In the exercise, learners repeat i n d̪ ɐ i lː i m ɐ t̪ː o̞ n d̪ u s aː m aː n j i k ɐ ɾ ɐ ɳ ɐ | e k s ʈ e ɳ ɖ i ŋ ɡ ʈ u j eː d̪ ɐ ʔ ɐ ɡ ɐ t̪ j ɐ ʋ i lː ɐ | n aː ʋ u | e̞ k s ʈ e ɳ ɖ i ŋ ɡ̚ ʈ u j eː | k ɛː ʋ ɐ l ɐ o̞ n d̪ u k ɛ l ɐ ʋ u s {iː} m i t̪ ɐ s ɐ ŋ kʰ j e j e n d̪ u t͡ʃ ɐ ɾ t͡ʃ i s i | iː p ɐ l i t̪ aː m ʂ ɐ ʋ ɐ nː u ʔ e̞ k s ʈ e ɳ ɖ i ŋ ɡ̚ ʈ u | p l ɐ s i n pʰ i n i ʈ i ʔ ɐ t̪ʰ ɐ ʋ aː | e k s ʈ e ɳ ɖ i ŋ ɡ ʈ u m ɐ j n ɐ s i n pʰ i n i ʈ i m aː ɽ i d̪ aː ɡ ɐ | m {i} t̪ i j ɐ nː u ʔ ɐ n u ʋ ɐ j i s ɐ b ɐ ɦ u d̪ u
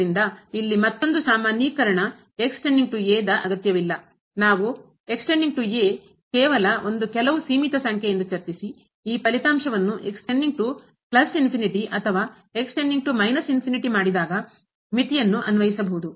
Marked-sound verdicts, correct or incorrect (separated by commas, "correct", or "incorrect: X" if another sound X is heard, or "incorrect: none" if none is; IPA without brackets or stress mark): correct, correct